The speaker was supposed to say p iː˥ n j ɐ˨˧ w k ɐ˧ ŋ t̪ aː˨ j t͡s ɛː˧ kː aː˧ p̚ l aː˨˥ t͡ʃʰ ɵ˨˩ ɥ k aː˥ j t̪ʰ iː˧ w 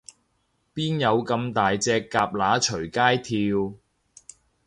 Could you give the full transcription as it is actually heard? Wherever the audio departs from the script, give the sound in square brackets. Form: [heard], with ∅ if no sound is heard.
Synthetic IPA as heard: p iː˥ n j ɐ˨˧ w k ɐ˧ [m] t̪ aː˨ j t͡s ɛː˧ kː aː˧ p̚ l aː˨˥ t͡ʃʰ ɵ˨˩ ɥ k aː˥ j t̪ʰ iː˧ w